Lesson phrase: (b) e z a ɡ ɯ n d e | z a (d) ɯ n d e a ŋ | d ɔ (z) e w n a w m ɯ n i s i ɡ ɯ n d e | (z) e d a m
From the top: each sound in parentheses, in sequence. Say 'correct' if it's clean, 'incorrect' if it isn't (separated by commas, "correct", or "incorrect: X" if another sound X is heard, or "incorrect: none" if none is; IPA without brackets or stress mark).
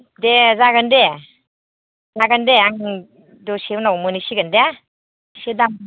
incorrect: d, incorrect: ɡ, incorrect: s, incorrect: s